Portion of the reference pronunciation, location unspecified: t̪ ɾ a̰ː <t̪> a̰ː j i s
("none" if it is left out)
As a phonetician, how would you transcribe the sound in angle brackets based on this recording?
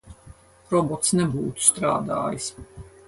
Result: d̪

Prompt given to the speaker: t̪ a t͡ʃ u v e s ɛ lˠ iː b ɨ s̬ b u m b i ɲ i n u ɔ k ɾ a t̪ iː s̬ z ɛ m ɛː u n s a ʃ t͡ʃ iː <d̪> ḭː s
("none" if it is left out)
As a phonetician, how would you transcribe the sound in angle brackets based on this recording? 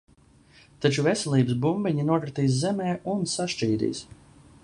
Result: d̪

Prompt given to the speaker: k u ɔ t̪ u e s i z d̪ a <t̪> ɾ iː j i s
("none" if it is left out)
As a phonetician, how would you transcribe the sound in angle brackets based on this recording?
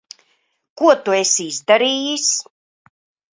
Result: none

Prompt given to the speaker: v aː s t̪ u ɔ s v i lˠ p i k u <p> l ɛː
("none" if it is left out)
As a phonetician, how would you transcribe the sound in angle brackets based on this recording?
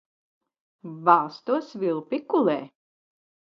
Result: none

